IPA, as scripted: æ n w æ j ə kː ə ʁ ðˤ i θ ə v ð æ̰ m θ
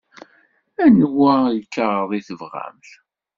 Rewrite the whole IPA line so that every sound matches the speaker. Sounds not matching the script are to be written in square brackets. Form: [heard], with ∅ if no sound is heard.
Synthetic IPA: æ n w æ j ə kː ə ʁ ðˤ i θ ə v [ʁ] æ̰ m θ